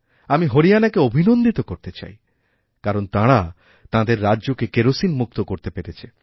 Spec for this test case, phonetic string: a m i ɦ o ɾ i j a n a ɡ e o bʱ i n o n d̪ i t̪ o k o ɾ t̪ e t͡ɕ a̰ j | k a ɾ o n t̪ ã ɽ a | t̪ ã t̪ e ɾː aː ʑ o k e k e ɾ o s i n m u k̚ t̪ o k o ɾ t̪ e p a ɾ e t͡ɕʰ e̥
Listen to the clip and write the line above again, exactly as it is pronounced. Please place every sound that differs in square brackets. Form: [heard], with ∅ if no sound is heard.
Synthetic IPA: a m i ɦ o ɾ i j a n a [k] e o bʱ i n o n d̪ i t̪ o k o ɾ t̪ e t͡ɕ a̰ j | k a ɾ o n t̪ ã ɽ a | t̪ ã [d̪] e ɾː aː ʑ o k e k e ɾ o s i n m u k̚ t̪ o k o ɾ t̪ e p [e] ɾ e t͡ɕʰ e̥